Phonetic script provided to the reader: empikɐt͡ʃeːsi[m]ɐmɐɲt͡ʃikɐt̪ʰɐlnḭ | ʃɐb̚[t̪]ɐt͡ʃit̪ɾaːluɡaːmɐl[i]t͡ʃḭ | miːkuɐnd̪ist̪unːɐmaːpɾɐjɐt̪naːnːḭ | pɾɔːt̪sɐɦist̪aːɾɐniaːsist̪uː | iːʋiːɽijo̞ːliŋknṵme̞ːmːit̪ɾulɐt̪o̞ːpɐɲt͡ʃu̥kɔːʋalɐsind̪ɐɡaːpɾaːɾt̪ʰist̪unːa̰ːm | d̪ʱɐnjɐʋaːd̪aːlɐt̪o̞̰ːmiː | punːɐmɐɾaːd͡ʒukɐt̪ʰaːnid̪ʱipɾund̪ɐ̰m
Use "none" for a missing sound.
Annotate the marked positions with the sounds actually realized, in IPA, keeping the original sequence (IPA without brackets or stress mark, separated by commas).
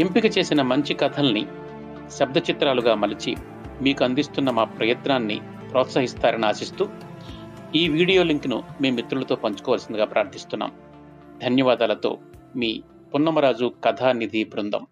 n, d̪, i